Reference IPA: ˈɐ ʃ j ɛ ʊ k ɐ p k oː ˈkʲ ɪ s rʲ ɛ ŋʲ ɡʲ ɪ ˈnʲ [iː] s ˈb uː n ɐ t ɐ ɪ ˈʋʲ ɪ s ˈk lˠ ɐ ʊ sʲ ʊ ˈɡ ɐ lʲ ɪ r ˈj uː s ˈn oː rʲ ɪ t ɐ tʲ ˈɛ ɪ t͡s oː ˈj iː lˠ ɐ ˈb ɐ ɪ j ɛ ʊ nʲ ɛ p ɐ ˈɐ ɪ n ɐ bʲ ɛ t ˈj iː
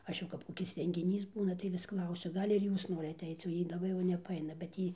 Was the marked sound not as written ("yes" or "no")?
no